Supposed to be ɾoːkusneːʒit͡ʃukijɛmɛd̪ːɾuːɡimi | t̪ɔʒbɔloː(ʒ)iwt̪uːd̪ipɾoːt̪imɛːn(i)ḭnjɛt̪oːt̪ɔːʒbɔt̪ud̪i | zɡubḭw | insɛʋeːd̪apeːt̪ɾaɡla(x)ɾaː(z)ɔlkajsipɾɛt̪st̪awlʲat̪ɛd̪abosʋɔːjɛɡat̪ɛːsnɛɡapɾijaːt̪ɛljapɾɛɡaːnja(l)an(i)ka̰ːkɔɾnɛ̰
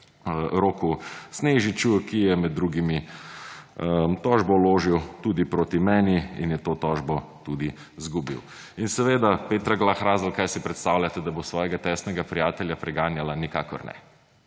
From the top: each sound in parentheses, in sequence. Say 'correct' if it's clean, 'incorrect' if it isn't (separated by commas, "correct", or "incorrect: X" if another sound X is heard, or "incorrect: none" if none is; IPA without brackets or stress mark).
correct, correct, correct, correct, correct, correct